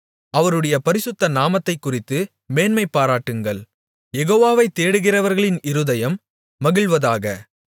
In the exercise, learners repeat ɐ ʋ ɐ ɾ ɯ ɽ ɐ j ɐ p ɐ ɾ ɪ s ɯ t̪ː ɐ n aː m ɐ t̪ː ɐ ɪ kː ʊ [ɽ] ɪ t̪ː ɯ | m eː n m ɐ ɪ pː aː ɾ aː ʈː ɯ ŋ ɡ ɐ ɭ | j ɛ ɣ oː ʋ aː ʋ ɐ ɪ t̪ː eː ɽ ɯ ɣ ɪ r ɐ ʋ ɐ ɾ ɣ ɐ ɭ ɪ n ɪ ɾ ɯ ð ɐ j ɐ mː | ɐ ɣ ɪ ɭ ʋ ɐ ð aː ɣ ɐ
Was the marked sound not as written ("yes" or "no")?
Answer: yes